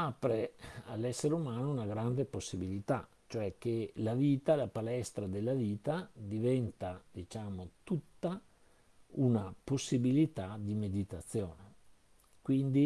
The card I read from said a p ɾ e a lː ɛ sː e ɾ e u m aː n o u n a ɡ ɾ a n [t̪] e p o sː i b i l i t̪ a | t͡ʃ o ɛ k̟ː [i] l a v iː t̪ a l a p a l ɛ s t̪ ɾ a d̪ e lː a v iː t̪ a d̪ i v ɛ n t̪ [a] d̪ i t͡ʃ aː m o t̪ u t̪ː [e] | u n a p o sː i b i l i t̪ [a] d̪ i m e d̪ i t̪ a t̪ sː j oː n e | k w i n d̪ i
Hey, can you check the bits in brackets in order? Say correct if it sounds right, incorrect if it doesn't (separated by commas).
incorrect, incorrect, correct, incorrect, correct